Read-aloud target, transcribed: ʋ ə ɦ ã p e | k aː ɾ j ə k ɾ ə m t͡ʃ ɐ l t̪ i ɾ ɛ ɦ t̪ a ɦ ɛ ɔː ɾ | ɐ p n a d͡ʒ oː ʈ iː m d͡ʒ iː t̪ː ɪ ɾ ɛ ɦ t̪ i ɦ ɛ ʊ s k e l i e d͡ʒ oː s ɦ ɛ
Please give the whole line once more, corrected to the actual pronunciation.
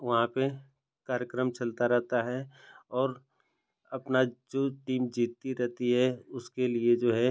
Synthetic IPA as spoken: ʋ ɐ ɦ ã p e | k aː ɾ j ə k ɾ ə m t͡ʃ ɐ l t̪ a ɾ ɛ ɦ t̪ a ɦ ɛ ɔː ɾ | ɐ p n a d͡ʒ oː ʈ iː m d͡ʒ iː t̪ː i ɾ ɛ ɦ t̪ i ɦ ɛ ʊ s k e l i e d͡ʒ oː ɦ ɛ